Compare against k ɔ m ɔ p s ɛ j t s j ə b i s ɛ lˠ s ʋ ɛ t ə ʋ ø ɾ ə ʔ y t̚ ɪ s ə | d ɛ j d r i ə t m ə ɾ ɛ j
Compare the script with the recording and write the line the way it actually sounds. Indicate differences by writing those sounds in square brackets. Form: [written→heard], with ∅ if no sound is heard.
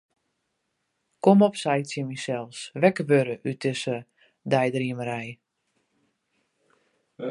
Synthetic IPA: k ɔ m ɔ p s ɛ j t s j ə [b→m] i s ɛ lˠ s ʋ ɛ [t→k] ə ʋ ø ɾ ə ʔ y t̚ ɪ s ə | d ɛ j d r i ə [t→∅] m ə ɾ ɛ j